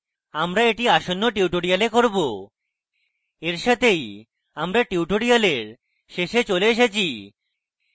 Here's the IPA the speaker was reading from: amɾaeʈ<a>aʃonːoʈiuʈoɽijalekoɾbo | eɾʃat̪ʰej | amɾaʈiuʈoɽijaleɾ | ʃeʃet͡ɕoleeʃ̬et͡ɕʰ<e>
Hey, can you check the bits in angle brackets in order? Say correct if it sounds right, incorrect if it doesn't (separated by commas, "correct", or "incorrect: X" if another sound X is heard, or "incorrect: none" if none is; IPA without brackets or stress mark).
incorrect: i, incorrect: i